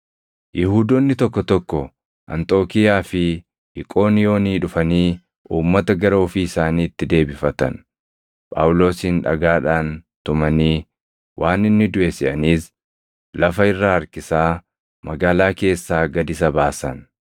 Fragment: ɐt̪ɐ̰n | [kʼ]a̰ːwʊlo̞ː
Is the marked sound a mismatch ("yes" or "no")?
yes